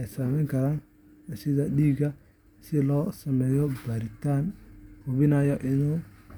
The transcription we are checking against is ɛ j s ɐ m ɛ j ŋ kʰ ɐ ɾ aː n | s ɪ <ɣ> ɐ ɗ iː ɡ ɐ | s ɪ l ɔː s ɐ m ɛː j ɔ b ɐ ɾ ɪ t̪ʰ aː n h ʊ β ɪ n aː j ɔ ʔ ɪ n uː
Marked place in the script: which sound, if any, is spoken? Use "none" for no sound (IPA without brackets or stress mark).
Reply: ð